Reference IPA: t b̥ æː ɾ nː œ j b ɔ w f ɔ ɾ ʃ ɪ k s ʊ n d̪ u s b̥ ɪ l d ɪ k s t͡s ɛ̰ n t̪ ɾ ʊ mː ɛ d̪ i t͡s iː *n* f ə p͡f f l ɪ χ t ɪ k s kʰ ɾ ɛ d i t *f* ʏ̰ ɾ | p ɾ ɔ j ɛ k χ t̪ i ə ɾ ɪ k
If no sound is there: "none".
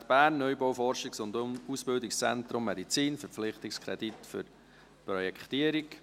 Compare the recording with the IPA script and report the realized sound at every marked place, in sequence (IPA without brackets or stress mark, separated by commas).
n, f